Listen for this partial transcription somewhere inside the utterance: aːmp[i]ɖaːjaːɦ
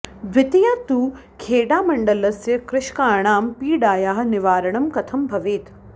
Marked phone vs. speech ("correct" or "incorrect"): incorrect